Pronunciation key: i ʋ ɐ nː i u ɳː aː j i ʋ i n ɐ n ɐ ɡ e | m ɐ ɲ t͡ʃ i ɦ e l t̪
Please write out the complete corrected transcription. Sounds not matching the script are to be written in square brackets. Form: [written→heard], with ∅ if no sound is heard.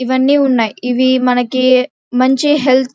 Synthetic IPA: i ʋ ɐ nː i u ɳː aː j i ʋ i [n→m] ɐ n ɐ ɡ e | m ɐ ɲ t͡ʃ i ɦ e l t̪